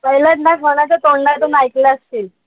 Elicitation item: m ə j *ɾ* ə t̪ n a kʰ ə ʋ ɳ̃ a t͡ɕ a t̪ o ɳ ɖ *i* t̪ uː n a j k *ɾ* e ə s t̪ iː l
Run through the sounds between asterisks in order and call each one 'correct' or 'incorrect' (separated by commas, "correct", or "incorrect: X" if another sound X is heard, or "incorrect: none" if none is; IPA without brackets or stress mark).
incorrect: l, incorrect: a, incorrect: l